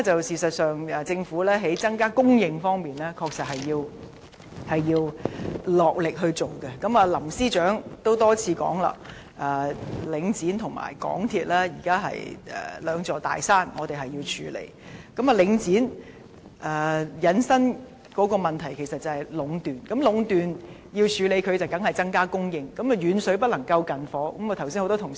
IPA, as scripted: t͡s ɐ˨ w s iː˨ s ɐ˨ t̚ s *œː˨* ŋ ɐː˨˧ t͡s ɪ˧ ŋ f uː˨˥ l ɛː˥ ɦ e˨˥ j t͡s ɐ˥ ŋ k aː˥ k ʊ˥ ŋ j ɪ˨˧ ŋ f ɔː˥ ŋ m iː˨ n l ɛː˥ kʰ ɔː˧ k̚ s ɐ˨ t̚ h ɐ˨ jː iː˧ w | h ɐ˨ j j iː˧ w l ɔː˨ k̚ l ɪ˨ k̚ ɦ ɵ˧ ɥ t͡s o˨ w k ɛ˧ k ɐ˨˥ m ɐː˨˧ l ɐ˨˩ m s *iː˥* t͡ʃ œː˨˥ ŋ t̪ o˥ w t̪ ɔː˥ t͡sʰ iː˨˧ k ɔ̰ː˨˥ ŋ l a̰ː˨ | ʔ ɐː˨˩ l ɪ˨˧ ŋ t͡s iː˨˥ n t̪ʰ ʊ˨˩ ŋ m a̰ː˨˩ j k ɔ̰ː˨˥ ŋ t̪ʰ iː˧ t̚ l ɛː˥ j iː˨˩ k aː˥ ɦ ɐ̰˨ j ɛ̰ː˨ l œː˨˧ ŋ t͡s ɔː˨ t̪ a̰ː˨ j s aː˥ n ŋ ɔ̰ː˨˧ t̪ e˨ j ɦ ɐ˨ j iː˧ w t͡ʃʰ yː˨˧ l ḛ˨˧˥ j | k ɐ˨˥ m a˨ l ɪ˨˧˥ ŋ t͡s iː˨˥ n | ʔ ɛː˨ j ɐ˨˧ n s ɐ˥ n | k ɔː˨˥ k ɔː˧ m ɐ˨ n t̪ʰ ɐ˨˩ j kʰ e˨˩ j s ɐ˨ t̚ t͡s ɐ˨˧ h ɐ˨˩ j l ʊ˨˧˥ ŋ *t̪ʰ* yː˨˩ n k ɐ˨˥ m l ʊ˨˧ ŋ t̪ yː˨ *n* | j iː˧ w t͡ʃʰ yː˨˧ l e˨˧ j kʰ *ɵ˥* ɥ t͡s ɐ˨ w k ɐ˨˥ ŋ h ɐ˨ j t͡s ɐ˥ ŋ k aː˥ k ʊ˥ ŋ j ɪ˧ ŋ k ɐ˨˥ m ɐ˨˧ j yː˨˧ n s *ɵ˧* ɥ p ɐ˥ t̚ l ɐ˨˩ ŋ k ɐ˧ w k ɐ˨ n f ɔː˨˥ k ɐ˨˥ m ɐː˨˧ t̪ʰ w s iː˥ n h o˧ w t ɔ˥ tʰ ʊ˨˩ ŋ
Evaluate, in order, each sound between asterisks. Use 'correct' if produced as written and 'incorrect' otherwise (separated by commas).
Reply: correct, correct, incorrect, correct, incorrect, incorrect